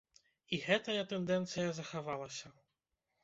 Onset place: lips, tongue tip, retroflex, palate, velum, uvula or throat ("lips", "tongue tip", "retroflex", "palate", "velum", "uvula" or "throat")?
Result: velum